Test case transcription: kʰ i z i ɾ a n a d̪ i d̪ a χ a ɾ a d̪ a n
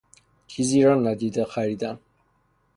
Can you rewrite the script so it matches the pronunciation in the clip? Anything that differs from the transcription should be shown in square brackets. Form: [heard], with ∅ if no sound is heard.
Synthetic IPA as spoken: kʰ i z i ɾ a n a d̪ i d̪ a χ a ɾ [i] d̪ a n